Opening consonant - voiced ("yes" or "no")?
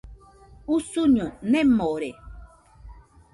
no